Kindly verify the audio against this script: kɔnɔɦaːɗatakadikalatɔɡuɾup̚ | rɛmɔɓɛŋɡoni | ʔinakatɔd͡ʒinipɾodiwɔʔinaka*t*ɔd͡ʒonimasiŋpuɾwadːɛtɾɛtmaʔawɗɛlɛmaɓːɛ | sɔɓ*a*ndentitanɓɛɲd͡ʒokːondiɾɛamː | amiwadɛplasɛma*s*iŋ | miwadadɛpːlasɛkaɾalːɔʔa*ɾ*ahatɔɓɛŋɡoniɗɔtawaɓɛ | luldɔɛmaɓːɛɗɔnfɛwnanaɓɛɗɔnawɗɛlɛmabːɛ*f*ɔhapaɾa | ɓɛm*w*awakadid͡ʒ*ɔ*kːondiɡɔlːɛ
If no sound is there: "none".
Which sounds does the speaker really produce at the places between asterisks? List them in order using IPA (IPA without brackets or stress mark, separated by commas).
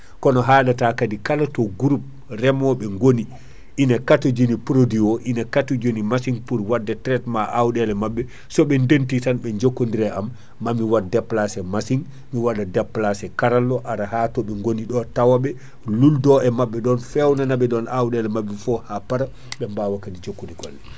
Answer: t, ɛ, s, ɾ, f, b, o